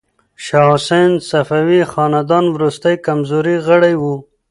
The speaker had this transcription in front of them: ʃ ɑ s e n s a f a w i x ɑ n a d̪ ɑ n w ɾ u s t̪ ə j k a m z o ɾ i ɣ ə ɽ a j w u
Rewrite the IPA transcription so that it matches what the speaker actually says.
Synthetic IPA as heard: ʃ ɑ s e n s a f a w i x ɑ n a d̪ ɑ n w ɾ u s t̪ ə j k a m z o ɾ i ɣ ə ɽ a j w u